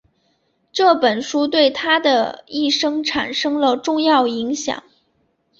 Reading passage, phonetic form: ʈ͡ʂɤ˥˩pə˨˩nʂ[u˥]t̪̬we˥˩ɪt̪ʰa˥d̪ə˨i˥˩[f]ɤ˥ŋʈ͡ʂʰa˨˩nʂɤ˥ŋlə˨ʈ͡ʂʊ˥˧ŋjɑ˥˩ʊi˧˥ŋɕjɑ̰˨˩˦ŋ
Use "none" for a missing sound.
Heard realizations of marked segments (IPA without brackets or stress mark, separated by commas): u˥, ʂ